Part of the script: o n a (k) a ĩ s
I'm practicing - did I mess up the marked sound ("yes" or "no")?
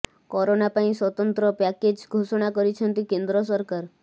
yes